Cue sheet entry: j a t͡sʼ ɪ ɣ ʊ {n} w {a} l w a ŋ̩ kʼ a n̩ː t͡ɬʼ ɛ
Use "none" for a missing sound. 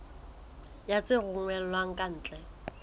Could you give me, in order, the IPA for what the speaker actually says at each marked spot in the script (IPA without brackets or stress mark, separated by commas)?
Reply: ŋ, ɛ